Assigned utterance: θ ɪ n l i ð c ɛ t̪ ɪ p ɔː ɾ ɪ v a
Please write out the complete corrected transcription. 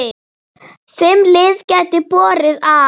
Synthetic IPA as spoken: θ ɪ m l ɪ ð c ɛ t̪ ɪ p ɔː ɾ ɪ ð a